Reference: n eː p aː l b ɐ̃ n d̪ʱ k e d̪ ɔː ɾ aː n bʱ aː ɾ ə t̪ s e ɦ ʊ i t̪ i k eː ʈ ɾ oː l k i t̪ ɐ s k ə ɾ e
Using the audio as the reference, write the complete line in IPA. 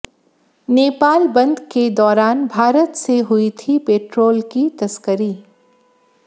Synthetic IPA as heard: n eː p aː l b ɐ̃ n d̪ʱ k e d̪ ɔː ɾ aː n bʱ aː ɾ ə t̪ s e ɦ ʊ i t̪ʰ i p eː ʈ ɾ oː l k i t̪ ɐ s k ə ɾ i